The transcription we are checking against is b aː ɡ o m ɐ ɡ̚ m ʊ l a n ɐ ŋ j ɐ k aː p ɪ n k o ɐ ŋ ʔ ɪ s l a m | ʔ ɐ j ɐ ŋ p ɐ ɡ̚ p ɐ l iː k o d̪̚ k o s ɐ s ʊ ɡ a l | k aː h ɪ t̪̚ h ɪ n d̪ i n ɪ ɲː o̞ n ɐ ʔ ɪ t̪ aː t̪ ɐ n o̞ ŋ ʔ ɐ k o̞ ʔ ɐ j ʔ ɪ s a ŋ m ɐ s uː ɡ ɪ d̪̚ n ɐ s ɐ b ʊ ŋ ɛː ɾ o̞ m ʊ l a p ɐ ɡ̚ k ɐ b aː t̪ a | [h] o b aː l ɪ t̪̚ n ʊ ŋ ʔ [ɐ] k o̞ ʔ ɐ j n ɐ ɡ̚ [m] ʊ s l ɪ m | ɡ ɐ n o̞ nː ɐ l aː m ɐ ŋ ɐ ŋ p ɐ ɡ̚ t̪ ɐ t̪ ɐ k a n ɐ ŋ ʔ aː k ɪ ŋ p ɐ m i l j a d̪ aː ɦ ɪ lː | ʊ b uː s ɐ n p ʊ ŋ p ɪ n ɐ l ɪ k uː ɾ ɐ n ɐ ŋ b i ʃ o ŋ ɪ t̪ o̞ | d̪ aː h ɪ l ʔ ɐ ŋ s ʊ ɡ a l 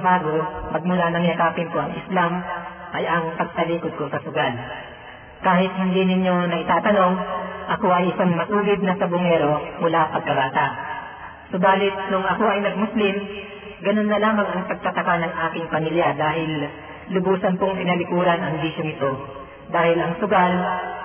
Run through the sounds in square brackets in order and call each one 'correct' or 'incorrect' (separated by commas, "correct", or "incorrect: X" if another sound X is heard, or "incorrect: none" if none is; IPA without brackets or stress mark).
incorrect: s, correct, correct